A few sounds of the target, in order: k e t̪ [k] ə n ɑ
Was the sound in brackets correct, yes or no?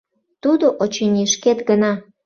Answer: no